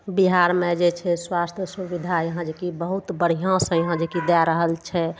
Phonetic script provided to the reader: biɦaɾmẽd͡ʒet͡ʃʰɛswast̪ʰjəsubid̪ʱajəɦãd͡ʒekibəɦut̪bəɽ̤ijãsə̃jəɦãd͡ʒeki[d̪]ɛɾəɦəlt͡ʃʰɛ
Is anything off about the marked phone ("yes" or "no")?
no